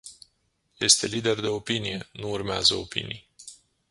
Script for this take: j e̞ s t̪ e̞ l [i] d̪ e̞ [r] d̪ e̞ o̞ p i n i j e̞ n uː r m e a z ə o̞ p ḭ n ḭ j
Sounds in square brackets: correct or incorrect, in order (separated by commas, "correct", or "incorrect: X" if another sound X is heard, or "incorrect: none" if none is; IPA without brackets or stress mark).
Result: correct, correct